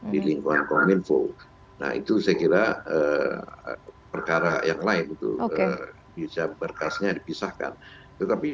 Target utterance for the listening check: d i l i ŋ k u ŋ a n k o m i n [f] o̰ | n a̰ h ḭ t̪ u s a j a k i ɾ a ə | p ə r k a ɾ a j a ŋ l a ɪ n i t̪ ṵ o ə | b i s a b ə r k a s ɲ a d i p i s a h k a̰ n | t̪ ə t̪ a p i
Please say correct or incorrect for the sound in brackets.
correct